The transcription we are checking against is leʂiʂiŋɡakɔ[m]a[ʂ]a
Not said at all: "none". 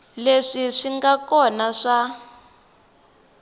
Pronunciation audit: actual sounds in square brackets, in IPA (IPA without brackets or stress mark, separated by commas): n, ʂ